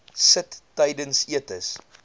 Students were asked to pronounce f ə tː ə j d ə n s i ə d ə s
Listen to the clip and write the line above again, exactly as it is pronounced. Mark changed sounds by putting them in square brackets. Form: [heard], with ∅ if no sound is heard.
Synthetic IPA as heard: [s] ə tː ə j d ə n s i ə [t] ə s